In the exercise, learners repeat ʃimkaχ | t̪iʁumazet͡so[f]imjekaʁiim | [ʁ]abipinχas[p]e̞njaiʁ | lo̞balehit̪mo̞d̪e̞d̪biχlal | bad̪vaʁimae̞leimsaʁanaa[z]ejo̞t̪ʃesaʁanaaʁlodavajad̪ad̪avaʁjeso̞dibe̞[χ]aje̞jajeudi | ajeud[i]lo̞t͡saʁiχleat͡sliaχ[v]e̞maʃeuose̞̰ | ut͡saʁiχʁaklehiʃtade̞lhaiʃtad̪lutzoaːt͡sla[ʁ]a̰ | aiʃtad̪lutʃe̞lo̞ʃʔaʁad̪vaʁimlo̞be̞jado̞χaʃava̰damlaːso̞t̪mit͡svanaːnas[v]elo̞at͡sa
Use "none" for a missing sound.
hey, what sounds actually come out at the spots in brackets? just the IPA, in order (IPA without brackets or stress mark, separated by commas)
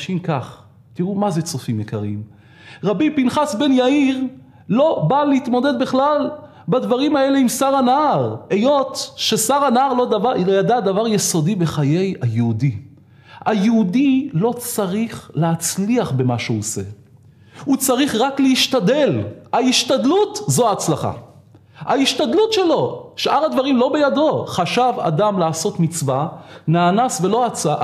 f, ʁ, b, ʁ, χ, i, b, χ, v